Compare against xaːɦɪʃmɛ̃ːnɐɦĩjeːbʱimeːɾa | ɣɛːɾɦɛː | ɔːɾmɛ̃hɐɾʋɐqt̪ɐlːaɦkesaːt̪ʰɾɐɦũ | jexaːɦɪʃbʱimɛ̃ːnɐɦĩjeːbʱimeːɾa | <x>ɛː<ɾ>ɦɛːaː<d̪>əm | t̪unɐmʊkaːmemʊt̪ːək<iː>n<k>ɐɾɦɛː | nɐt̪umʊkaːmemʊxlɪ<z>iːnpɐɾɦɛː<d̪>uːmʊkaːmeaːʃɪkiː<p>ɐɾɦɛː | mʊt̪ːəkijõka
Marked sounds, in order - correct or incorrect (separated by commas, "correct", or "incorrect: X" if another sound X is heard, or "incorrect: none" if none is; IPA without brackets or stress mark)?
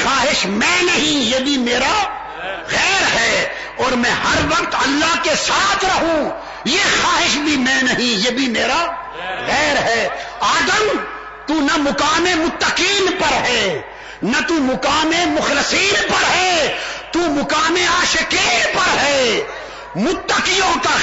incorrect: ɣ, correct, correct, correct, incorrect: p, incorrect: s, incorrect: t̪, correct